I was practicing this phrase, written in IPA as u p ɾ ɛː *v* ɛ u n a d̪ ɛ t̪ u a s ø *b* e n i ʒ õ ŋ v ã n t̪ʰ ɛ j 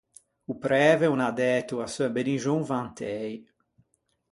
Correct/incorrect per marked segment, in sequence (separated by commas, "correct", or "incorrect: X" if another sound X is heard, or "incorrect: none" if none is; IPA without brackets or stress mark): correct, correct